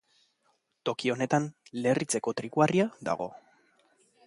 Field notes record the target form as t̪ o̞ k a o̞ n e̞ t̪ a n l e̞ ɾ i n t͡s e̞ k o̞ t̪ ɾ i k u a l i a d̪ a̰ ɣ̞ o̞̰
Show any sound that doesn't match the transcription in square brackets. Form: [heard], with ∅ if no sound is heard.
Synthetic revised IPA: t̪ o̞ k [i] o̞ n e̞ t̪ a n l e̞ [r] i [∅] t͡s e̞ k o̞ t̪ ɾ i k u a [r] i a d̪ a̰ ɣ̞ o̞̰